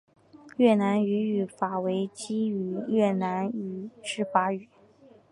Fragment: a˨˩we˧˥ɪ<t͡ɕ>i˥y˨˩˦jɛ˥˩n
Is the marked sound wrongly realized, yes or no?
no